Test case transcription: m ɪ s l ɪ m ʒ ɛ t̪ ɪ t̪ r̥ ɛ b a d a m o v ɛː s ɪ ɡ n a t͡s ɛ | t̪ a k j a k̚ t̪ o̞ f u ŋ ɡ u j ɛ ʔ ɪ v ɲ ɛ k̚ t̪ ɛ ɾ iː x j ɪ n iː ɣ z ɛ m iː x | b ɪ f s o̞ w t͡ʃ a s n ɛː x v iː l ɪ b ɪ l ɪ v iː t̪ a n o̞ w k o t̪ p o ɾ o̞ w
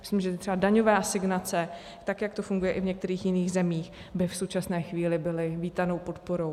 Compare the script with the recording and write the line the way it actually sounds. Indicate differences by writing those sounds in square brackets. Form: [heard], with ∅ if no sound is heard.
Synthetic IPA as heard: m ɪ s l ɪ m ʒ ɛ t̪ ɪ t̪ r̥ ɛ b a d a [ɲ] o v [aː] s ɪ ɡ n a t͡s ɛ | t̪ a k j a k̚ t̪ o̞ f u ŋ ɡ u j ɛ ʔ ɪ v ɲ ɛ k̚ t̪ ɛ ɾ iː x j ɪ n iː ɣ z ɛ m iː x | b ɪ f s o̞ w t͡ʃ a s n ɛː x v iː l ɪ b ɪ l ɪ v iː t̪ a n o̞ w [p] o t̪ p o ɾ o̞ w

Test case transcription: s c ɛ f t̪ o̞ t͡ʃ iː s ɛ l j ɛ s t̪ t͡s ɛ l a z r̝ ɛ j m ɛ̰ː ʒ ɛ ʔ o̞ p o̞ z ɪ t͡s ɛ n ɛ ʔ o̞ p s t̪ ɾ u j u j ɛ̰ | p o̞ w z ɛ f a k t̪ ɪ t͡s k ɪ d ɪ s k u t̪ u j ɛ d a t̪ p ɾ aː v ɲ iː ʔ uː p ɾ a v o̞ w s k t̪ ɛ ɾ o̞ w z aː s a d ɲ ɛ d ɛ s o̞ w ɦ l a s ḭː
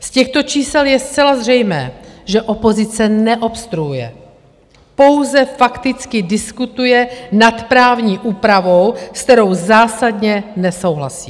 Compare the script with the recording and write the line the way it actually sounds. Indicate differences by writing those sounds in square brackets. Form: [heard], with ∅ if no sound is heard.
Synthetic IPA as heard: s c ɛ [x] t̪ o̞ t͡ʃ iː s ɛ l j ɛ s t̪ t͡s ɛ l a z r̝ ɛ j m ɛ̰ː ʒ ɛ ʔ o̞ p o̞ z ɪ t͡s ɛ n ɛ ʔ o̞ p s t̪ ɾ u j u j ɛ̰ | p o̞ w z ɛ f a k t̪ ɪ t͡s k ɪ d ɪ s k u t̪ u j ɛ [n] a t̪ p ɾ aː v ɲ iː ʔ uː p ɾ a v o̞ w s k t̪ ɛ ɾ o̞ w z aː s a d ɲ ɛ [n] ɛ s o̞ w ɦ l a s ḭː

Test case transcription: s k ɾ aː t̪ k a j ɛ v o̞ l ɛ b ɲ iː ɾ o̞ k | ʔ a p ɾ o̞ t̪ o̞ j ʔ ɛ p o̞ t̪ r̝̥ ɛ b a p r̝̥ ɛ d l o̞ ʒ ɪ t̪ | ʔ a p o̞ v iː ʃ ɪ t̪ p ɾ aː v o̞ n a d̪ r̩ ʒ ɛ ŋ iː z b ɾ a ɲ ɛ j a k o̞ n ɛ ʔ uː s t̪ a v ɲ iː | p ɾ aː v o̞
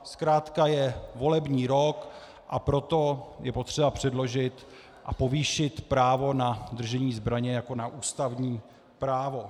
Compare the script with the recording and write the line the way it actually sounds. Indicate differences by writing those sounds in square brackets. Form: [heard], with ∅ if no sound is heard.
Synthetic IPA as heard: s k ɾ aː t̪ k a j ɛ v o̞ l ɛ b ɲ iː ɾ o̞ k | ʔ a p ɾ o̞ t̪ o̞ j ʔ ɛ p o̞ t̪ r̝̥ ɛ b a p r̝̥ ɛ d l o̞ ʒ ɪ t̪ | ʔ a p o̞ v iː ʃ ɪ t̪ p ɾ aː v o̞ n a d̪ r̩ ʒ ɛ [ɲ] iː z b ɾ a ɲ ɛ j a k o̞ n [a] ʔ uː s t̪ a v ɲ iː | p ɾ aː v o̞

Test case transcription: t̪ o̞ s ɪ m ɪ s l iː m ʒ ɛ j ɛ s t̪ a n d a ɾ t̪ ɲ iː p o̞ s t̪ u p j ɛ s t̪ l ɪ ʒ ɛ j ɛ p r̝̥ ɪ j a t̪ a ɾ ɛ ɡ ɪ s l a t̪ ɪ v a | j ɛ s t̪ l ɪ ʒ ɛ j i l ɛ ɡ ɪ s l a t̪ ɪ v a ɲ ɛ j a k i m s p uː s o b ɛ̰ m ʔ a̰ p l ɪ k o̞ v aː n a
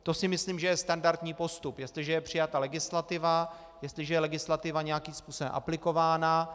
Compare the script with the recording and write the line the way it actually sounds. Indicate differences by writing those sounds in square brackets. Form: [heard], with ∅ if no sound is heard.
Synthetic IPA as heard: t̪ o̞ s ɪ m ɪ s l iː m ʒ ɛ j ɛ s t̪ a n d a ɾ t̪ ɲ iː p o̞ s t̪ u p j ɛ s t̪ l ɪ ʒ ɛ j ɛ p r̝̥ ɪ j a t̪ a [l] ɛ ɡ ɪ s l a t̪ ɪ v a | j ɛ s t̪ l ɪ ʒ ɛ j [ɛ] l ɛ ɡ ɪ s l a t̪ ɪ v a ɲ ɛ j a k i m s p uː s o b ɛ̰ m ʔ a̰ p l ɪ k o̞ v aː n a

